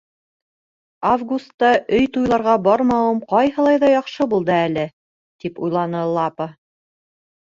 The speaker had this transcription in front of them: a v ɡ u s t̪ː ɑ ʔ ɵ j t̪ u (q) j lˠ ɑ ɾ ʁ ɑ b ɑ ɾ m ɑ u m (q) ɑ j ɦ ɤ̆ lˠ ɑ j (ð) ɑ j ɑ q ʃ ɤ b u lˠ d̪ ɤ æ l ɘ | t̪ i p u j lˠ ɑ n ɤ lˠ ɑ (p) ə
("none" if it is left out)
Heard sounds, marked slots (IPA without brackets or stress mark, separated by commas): none, q, ð, p